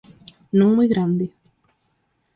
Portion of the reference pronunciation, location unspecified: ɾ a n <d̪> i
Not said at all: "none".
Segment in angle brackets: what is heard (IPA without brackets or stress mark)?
d̪